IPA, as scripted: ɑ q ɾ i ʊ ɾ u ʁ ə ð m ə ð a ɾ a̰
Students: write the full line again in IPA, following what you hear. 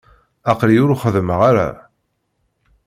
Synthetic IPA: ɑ q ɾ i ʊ ɾ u χ ə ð m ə ʁ a ɾ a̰

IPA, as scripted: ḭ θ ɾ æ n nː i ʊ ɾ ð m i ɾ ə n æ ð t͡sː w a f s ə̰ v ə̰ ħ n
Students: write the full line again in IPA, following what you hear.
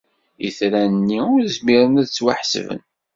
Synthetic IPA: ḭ θ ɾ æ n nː i ʊ ɾ z m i ɾ ə n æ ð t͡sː w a ħ s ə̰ v ə̰ n

